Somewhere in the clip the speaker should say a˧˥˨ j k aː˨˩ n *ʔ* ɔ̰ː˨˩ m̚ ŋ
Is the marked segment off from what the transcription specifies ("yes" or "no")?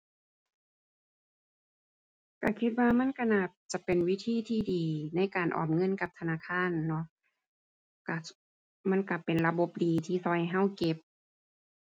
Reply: no